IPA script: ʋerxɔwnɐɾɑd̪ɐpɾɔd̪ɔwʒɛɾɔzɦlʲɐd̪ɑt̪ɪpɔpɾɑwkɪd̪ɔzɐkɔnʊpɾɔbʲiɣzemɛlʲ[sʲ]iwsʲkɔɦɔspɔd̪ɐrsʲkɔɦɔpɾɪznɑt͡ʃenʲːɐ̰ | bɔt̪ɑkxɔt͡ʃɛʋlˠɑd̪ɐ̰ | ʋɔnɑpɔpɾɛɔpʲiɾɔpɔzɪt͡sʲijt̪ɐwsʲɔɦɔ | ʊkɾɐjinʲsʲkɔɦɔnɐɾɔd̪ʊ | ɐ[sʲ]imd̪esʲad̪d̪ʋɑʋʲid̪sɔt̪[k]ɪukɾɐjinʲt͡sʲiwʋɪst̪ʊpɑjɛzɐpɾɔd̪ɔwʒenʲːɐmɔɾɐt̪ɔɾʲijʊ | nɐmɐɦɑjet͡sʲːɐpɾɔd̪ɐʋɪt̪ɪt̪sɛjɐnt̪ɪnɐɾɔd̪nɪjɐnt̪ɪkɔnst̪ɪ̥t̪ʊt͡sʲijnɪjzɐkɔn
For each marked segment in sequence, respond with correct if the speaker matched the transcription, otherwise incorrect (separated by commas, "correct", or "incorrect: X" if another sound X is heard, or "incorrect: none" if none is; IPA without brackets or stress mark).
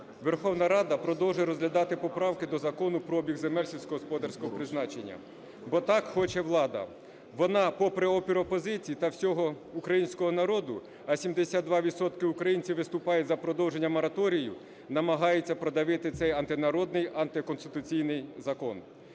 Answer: correct, correct, correct